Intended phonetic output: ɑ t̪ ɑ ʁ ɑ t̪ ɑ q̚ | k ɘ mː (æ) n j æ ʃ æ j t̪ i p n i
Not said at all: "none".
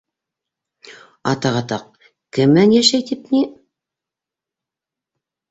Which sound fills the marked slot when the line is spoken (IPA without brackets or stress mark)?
æ